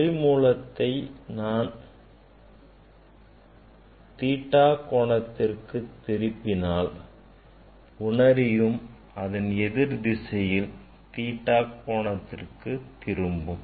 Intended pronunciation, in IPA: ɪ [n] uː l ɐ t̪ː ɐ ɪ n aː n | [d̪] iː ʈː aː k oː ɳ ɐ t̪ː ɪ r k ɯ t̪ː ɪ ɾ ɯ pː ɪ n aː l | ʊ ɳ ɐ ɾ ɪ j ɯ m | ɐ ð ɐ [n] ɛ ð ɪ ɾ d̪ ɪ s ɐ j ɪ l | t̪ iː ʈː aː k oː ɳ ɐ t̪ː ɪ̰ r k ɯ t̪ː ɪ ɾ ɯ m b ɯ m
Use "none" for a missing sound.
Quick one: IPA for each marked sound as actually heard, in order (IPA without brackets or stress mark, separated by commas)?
m, t̪, n